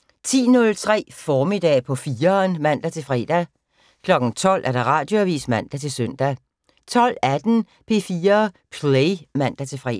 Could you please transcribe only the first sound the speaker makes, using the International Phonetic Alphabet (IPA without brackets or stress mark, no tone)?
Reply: t͡sʰ